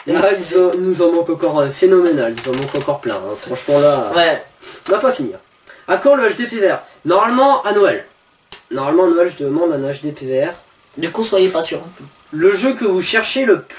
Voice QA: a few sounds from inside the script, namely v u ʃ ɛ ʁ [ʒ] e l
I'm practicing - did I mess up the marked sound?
yes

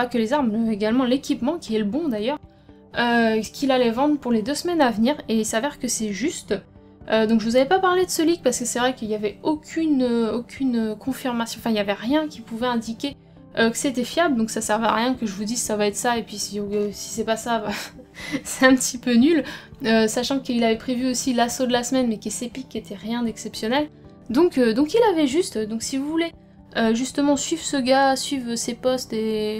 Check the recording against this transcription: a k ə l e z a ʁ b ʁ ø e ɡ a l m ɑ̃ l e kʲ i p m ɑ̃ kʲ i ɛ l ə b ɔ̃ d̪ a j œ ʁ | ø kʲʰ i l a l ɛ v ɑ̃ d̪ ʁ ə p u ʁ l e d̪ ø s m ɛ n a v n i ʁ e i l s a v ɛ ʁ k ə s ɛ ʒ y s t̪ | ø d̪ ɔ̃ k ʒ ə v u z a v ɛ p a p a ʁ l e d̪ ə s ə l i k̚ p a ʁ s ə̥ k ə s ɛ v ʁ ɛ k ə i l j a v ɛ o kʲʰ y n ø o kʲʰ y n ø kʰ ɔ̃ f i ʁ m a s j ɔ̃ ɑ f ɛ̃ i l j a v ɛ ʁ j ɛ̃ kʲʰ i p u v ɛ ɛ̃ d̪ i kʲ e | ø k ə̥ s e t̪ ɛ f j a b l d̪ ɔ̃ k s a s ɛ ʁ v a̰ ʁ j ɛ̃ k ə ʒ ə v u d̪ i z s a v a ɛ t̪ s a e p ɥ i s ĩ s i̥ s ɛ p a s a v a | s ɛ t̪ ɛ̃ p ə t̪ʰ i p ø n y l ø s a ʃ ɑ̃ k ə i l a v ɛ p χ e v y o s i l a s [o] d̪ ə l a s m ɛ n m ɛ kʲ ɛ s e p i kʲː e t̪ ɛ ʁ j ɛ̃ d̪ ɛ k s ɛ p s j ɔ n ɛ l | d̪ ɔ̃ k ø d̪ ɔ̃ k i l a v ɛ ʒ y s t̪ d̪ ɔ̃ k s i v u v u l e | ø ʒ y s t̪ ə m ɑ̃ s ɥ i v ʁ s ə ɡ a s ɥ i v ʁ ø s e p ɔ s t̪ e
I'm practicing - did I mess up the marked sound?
no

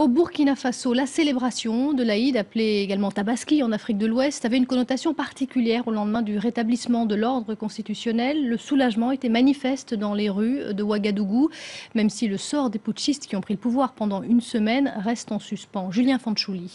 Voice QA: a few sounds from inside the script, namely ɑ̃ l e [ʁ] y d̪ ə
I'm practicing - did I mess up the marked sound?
no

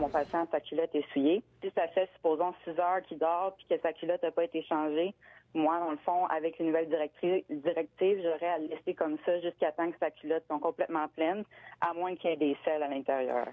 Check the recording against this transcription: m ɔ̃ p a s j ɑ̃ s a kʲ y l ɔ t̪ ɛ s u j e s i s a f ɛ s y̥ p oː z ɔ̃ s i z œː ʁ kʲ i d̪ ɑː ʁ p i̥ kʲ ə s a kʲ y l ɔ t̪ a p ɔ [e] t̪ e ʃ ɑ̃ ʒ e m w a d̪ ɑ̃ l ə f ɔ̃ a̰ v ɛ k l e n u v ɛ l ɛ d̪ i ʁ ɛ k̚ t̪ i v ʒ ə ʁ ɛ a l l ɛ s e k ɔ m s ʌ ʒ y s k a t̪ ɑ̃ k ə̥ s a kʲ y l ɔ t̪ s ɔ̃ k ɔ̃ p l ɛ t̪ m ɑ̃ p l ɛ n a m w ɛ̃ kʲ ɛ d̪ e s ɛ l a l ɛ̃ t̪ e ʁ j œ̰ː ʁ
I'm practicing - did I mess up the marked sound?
no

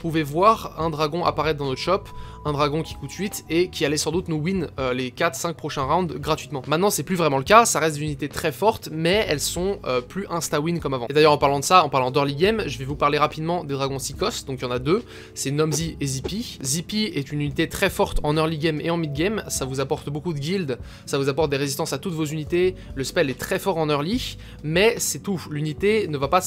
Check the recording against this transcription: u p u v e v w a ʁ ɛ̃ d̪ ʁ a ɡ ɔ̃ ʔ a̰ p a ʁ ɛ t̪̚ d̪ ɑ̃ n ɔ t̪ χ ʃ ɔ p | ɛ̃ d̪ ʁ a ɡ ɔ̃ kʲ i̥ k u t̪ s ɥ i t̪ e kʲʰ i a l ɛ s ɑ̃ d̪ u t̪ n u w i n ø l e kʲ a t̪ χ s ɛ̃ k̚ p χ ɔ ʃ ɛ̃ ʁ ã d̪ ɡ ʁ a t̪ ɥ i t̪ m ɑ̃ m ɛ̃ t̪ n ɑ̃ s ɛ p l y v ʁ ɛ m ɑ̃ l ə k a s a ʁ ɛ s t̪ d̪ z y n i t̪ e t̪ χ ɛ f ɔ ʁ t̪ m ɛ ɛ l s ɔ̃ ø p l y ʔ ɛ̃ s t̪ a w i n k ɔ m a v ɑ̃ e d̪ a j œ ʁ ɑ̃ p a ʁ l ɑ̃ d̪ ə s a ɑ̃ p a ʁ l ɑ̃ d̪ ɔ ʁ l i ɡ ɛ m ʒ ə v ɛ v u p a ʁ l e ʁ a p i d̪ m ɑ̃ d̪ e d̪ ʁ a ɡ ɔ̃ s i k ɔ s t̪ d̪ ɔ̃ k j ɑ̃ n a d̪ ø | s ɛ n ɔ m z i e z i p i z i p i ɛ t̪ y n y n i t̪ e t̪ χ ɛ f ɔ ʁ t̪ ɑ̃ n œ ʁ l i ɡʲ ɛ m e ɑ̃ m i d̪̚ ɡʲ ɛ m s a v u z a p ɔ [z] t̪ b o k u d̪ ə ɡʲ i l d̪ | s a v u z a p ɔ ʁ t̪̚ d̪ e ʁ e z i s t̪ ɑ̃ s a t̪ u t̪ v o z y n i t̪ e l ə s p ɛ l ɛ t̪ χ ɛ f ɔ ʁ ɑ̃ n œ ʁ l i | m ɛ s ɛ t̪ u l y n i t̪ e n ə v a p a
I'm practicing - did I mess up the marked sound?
yes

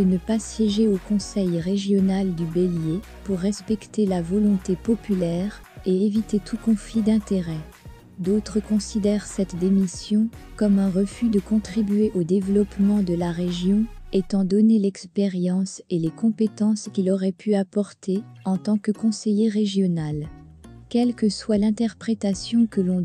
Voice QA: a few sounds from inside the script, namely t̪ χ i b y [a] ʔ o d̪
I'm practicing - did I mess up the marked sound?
yes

